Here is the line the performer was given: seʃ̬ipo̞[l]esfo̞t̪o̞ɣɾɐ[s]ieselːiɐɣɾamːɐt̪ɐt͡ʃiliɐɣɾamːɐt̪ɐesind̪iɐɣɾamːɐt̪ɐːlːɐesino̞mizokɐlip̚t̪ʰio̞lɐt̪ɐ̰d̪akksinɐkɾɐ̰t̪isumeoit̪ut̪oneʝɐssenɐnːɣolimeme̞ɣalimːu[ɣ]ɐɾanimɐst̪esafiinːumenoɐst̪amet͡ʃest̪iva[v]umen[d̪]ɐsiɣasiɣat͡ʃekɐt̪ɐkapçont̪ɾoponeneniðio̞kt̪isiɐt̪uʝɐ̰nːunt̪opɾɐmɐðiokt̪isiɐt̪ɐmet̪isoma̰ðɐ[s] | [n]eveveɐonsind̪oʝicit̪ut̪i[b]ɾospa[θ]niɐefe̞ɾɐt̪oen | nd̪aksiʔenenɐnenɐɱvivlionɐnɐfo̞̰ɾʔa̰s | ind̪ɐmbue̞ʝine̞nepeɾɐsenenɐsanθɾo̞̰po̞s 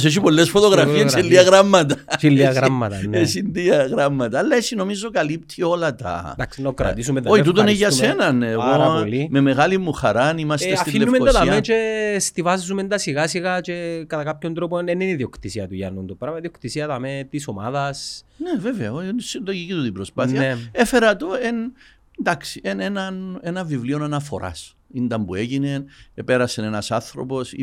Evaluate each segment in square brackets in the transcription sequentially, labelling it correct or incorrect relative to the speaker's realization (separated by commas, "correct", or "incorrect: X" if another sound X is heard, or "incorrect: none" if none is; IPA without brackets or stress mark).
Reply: incorrect: lː, incorrect: f, incorrect: x, incorrect: z, correct, correct, correct, correct, correct